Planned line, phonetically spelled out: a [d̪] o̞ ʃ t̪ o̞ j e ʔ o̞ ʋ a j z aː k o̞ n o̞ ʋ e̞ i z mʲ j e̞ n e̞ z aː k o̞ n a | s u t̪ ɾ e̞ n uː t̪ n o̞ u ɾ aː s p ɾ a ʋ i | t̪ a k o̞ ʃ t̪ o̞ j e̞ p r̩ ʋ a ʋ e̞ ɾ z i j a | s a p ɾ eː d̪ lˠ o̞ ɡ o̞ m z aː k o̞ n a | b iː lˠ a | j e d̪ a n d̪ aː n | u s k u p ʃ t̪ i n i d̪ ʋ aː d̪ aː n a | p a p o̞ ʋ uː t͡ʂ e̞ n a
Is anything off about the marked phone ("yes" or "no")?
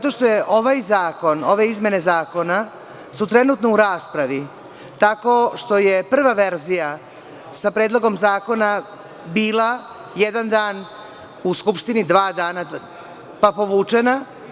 yes